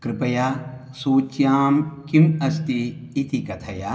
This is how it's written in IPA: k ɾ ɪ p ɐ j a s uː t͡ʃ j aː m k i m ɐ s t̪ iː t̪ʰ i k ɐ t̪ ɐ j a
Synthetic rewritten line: k ɾ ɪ p ɐ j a s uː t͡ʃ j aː m k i m ɐ s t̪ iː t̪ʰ i k ɐ t̪ʰ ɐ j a